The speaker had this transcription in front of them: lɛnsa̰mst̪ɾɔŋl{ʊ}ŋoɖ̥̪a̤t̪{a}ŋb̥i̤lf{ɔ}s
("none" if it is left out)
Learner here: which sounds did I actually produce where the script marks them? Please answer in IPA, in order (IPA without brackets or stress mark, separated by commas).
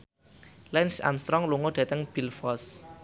u, ə, ɔ